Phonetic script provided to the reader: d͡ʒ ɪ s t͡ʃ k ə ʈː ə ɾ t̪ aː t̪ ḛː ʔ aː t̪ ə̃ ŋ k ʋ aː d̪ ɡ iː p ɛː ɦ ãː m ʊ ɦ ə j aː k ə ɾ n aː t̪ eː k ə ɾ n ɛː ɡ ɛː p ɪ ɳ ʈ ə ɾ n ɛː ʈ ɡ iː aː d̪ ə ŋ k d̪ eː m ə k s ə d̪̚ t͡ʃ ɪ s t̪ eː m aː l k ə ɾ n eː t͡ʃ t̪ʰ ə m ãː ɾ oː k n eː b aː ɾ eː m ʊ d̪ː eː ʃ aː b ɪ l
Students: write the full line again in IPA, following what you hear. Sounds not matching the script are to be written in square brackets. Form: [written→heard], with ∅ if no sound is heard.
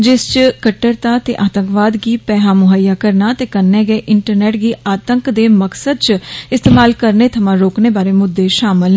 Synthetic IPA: d͡ʒ ɪ s t͡ʃ k ə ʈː ə ɾ t̪ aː t̪ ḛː ʔ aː t̪ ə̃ ŋ k ʋ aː d̪ ɡ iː p ɛː ɦ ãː m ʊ ɦ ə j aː k ə ɾ n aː t̪ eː k ə ɾ n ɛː ɡ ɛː [p→ʔ] ɪ ɳ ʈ ə ɾ n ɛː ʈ ɡ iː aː [d̪→t̪] ə ŋ k d̪ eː m ə k s ə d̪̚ t͡ʃ ɪ s t̪ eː m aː l k ə ɾ n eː [t͡ʃ→∅] t̪ʰ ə m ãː ɾ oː k n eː b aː ɾ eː m ʊ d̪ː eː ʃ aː [b→m] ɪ l